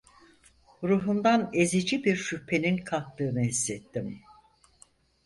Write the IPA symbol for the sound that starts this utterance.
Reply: ɾ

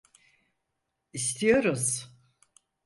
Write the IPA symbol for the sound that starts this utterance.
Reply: i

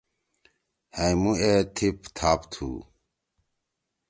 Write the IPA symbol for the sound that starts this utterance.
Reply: h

